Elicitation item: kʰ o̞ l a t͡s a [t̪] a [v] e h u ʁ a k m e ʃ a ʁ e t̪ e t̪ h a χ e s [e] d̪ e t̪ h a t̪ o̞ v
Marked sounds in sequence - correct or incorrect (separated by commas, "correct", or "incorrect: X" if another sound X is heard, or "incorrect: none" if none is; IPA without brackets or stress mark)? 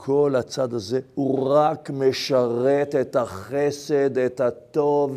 incorrect: d̪, incorrect: z, correct